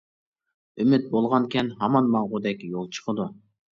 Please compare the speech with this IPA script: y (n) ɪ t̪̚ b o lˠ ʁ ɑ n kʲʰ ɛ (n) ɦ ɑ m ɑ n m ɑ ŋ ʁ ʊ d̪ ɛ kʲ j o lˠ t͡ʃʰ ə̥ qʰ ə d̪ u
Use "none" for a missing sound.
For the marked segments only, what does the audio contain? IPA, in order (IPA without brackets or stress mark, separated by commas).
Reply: m, n